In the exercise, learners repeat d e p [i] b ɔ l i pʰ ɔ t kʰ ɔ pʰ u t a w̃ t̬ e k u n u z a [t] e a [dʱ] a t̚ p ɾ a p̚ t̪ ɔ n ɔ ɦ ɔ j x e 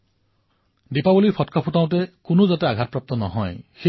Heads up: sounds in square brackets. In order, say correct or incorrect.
incorrect: a, correct, incorrect: ɡʱ

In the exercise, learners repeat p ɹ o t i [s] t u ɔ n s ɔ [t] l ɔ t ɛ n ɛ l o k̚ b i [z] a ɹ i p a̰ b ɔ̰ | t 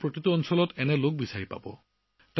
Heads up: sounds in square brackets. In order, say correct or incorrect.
incorrect: none, incorrect: none, incorrect: s

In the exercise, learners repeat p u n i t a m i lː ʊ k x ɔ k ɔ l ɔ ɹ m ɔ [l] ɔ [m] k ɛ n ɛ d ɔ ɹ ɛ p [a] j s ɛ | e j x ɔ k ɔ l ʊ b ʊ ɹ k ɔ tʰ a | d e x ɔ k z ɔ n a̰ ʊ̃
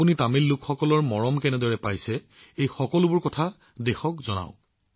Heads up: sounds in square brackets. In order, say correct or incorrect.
incorrect: ɹ, correct, correct

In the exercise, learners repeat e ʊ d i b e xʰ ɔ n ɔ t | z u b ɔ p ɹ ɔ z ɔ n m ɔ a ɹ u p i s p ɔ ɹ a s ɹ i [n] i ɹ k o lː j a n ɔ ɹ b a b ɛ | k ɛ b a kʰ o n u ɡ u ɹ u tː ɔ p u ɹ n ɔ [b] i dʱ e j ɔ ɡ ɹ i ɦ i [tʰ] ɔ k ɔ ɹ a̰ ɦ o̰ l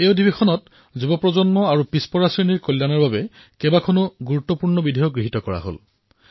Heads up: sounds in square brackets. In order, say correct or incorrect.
correct, correct, incorrect: t

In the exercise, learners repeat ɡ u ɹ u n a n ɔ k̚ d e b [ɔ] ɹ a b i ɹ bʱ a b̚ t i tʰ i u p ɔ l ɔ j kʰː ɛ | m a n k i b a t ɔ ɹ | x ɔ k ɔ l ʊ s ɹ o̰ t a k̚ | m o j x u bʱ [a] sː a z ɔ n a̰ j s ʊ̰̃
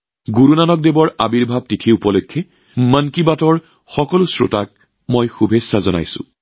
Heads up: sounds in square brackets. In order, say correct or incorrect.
correct, incorrect: e

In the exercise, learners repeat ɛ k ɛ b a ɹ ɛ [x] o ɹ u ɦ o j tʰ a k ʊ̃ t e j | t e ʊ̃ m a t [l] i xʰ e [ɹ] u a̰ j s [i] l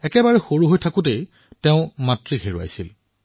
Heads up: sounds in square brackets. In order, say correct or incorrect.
correct, incorrect: ɹ, correct, correct

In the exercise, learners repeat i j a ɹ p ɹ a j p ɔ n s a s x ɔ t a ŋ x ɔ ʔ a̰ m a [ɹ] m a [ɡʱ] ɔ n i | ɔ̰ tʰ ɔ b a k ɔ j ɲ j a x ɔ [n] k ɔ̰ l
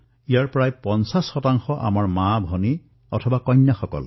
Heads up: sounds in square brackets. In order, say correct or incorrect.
correct, incorrect: bʱ, incorrect: none

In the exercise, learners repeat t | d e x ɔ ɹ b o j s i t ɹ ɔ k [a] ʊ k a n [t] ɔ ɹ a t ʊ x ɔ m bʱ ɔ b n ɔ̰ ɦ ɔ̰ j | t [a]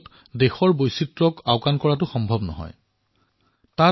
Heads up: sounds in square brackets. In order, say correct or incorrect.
correct, incorrect: k, correct

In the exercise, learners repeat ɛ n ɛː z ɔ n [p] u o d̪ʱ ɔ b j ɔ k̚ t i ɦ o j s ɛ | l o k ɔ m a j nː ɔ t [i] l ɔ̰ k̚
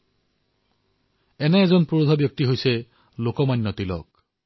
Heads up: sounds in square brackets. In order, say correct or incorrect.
correct, correct

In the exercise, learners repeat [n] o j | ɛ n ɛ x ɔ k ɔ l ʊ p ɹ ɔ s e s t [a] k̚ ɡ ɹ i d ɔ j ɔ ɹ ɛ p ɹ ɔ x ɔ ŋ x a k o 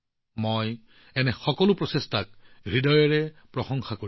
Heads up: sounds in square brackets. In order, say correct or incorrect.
incorrect: m, correct

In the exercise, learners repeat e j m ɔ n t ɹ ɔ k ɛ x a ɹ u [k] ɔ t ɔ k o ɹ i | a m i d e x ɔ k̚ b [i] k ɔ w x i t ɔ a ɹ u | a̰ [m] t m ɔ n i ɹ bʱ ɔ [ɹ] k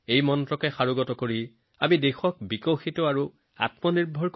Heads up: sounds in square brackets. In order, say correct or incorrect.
incorrect: ɡ, correct, incorrect: none, correct

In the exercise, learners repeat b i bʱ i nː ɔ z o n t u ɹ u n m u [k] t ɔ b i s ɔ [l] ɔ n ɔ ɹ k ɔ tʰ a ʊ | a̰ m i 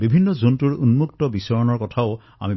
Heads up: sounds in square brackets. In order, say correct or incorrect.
correct, incorrect: ɹ

